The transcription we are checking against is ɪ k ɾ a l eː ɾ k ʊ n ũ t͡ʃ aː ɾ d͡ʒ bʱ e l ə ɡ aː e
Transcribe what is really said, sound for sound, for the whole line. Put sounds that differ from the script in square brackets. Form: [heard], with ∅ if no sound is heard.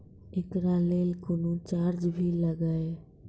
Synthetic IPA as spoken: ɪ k ɾ a l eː [l] k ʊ n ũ t͡ʃ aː ɾ d͡ʒ bʱ [i] l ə ɡ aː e